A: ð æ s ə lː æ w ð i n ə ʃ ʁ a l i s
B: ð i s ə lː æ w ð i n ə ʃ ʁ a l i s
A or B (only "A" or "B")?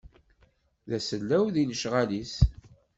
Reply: A